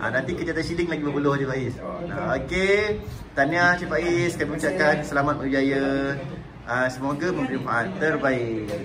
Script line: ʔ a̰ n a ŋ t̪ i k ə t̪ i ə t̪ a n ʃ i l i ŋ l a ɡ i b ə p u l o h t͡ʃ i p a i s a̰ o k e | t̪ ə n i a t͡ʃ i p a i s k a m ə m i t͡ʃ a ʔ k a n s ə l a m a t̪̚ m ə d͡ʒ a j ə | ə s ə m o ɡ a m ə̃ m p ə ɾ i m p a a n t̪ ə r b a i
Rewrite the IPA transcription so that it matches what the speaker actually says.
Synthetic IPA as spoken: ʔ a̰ n a n t̪ i k ə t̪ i a t̪ a n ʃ i l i ŋ l a ɡ i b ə p u l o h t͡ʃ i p a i s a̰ o k e | t̪ a n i a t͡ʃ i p a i s k a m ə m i t͡ʃ a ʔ k a n s ə l a m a t̪̚ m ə d͡ʒ a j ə | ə s ə m o ɡ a m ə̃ m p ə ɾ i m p a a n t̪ ə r b a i